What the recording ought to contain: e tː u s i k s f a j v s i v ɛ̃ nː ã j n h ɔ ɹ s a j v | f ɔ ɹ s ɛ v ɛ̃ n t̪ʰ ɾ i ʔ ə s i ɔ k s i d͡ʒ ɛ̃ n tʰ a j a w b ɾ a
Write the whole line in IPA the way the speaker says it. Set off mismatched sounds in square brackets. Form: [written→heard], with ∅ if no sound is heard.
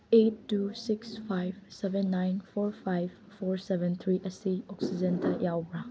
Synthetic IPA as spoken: e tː u s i k s f a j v s [i→ɛ] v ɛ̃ nː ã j n [h→f] ɔ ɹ [s→f] a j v | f ɔ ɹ s ɛ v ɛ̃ n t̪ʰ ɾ i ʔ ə s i ɔ k s i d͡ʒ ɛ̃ n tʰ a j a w b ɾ a